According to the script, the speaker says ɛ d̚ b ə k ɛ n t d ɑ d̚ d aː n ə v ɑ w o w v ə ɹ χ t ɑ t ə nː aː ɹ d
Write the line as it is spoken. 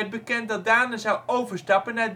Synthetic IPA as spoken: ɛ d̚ b ə k ɛ n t d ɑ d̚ d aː n ə z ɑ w o w v ə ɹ s t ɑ p ə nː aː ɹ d